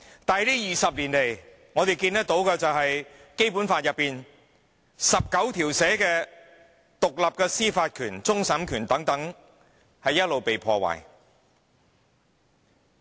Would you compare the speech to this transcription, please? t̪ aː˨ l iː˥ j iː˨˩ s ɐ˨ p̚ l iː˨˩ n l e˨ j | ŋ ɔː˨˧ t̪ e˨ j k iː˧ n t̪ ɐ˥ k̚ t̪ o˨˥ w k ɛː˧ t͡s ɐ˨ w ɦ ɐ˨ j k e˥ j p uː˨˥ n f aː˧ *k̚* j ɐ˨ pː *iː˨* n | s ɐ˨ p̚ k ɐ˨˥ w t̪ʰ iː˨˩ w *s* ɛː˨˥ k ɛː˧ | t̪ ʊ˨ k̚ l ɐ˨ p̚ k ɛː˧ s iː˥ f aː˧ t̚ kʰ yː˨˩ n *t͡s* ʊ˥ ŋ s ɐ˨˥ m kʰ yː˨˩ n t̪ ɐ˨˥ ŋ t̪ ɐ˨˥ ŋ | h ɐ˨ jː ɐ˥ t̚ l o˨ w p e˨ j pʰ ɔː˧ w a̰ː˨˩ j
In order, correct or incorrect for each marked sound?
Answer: incorrect: t̚, correct, correct, correct

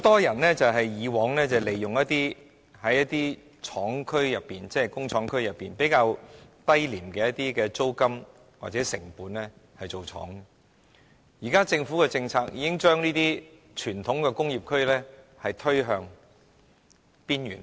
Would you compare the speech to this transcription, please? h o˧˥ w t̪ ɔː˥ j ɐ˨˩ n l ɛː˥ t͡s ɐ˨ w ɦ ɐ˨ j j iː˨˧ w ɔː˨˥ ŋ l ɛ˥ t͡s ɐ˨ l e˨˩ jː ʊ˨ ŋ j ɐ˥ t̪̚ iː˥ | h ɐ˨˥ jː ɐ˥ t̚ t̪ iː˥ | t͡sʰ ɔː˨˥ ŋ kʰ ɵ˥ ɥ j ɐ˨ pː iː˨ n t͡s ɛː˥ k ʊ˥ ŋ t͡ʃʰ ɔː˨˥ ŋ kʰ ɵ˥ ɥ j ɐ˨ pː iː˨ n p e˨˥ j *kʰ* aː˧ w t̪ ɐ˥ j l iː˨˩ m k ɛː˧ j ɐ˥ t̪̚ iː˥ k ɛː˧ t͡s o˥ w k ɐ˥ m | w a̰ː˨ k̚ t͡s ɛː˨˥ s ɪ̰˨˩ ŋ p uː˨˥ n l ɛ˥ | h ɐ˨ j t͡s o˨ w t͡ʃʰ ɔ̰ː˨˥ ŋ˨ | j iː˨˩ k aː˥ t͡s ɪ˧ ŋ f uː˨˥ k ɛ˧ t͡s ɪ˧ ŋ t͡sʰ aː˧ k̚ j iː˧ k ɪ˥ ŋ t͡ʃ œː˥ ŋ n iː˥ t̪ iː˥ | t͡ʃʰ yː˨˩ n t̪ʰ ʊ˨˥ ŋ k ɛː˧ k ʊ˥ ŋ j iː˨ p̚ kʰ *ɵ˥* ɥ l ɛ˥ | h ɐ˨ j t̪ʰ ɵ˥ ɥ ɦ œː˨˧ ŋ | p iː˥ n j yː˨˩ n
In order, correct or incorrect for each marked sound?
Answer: incorrect: k, correct

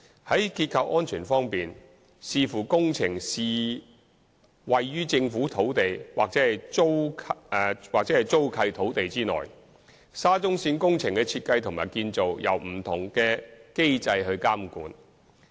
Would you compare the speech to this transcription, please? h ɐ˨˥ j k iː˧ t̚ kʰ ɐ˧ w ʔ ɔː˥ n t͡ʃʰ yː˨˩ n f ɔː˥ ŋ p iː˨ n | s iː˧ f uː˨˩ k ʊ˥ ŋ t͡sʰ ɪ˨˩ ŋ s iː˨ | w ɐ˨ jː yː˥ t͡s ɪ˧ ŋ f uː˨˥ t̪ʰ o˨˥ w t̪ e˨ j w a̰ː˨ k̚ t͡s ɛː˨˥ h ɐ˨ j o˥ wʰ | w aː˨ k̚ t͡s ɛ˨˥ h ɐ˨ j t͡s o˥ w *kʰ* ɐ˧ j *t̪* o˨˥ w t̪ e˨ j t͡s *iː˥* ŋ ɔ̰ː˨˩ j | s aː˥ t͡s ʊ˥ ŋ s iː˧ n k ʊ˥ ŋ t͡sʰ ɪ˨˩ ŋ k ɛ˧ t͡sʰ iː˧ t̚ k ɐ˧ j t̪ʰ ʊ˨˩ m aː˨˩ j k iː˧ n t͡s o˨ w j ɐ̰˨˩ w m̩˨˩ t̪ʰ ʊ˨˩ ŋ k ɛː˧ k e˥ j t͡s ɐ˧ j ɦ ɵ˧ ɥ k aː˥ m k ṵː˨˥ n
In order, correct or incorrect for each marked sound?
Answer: correct, incorrect: t̪ʰ, correct

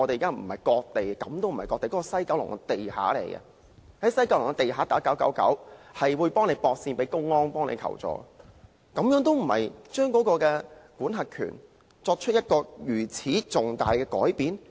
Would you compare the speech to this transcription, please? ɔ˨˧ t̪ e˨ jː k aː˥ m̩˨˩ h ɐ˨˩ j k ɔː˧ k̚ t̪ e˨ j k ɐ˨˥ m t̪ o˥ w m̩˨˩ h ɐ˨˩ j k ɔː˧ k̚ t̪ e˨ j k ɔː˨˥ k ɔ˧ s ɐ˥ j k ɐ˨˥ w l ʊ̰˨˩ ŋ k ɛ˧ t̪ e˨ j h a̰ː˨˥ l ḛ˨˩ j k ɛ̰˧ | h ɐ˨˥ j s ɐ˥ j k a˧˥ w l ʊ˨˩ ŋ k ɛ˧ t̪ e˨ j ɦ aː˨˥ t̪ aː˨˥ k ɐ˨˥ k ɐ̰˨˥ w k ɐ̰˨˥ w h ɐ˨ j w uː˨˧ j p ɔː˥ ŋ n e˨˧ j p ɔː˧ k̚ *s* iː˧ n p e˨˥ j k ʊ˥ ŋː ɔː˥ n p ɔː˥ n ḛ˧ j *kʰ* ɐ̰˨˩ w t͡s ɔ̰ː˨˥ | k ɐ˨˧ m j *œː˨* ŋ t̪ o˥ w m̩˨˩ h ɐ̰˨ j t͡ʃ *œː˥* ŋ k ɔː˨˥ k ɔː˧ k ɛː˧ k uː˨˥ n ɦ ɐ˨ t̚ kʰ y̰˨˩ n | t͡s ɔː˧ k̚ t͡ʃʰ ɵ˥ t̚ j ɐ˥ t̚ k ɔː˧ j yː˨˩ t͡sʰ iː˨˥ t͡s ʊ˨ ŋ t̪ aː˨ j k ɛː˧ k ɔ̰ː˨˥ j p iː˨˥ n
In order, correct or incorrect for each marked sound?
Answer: correct, correct, incorrect: œː˨˥, correct

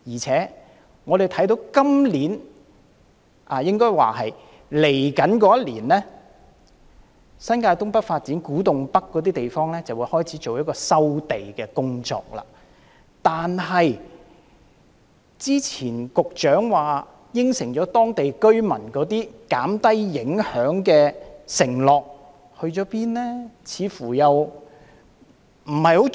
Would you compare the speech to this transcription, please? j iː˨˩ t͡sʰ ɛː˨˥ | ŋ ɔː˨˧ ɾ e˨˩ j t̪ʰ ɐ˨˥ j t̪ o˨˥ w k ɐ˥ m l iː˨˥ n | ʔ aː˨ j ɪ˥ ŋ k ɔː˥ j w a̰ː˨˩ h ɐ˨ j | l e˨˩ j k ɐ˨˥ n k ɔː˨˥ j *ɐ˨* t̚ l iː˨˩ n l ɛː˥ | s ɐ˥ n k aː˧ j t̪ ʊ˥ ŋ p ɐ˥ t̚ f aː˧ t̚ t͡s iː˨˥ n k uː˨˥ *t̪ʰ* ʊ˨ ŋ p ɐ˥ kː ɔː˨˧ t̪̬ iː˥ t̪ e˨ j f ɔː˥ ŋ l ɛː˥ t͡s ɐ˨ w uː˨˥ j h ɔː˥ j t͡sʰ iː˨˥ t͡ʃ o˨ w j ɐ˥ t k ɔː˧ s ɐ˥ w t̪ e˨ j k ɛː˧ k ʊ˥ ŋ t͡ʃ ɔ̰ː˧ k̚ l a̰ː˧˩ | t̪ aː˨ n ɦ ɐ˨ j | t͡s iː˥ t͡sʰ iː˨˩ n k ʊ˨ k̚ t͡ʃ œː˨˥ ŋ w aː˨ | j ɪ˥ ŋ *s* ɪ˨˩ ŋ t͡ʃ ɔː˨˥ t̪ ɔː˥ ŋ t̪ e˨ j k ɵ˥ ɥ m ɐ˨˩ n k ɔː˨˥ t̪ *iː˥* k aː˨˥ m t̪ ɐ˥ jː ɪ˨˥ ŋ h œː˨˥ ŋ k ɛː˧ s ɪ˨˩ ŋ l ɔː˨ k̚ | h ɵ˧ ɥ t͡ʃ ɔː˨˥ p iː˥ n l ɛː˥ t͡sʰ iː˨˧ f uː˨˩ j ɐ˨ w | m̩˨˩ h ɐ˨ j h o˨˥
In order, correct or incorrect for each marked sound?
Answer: incorrect: ɐ˥, incorrect: t̪, correct, correct

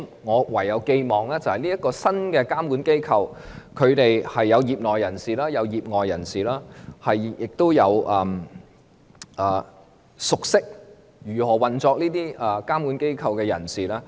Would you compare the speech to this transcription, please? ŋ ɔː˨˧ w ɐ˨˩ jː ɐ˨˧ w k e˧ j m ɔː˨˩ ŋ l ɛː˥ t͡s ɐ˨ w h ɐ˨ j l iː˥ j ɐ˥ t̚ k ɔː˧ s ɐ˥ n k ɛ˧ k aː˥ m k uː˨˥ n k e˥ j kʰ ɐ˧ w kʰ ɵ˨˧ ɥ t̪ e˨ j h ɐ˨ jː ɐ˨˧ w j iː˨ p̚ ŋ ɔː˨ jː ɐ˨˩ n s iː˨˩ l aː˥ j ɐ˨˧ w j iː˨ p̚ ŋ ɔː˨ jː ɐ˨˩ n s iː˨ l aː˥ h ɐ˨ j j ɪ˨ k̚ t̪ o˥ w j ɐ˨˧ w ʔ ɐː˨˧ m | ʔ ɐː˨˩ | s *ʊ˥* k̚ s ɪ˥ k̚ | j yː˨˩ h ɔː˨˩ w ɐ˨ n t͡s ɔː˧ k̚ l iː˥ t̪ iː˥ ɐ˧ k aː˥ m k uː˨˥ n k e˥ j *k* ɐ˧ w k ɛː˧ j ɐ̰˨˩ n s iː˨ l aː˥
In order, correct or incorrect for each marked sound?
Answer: incorrect: ʊ˨, incorrect: kʰ

